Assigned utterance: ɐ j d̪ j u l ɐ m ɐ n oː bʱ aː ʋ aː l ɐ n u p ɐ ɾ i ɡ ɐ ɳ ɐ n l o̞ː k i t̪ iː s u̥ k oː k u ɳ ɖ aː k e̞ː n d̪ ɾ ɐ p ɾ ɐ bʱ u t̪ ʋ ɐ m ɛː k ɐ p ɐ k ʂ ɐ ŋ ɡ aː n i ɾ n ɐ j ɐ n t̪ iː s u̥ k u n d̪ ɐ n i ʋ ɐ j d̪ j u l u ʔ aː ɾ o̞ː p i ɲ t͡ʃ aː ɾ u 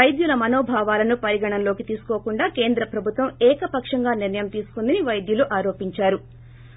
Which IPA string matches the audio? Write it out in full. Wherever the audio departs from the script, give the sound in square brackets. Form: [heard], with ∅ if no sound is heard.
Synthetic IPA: ɐ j d̪ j u l ɐ m ɐ n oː bʱ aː ʋ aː l ɐ n u p ɐ ɾ i ɡ ɐ ɳ ɐ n l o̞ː k i t̪ iː s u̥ k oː k u ɳ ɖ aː k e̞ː n d̪ ɾ ɐ p ɾ ɐ bʱ u t̪ ʋ ɐ m ɛː k ɐ p ɐ k ʂ ɐ ŋ ɡ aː n i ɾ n ɐ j ɐ [m] t̪ iː s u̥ k u n d̪ ɐ n i ʋ ɐ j d̪ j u l u ʔ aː ɾ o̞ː p i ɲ t͡ʃ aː ɾ u